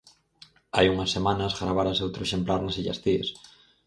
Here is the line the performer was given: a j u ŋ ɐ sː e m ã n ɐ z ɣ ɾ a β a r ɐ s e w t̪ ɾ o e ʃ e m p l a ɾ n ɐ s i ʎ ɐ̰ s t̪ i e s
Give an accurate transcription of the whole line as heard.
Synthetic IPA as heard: a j u ŋ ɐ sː e m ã n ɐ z ɣ ɾ a β a ɾ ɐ s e w t̪ ɾ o e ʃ e m p l a ɾ n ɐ s i ʎ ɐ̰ s t̪ i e s